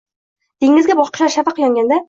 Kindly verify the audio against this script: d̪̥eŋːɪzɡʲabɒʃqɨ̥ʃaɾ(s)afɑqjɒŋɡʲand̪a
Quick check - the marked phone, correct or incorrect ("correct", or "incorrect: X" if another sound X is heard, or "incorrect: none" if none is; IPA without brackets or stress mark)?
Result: incorrect: ʃ